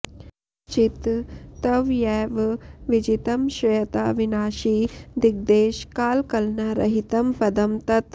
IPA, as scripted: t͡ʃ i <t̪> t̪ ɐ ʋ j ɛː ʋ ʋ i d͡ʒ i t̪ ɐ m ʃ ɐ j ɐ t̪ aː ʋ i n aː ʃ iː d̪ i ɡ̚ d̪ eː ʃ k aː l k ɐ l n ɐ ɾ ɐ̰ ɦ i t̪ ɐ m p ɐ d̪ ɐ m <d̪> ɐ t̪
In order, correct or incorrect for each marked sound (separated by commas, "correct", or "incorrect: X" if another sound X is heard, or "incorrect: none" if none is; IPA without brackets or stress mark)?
correct, incorrect: t̪